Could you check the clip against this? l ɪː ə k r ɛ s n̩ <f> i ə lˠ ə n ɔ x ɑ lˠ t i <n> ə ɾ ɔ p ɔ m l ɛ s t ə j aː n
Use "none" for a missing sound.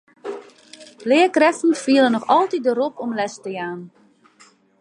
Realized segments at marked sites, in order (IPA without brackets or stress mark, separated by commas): f, d